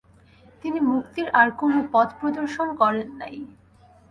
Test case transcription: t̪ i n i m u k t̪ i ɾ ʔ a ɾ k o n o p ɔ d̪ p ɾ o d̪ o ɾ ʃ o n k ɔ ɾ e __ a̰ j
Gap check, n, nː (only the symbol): nː